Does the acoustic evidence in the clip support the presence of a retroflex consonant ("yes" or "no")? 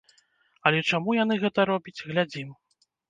yes